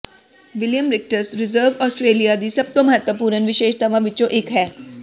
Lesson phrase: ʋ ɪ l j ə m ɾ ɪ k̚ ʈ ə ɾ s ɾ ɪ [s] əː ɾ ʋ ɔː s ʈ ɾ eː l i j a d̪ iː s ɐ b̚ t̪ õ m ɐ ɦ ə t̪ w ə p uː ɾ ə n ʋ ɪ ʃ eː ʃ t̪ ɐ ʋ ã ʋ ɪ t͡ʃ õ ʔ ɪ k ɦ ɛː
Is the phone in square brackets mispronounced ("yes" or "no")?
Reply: yes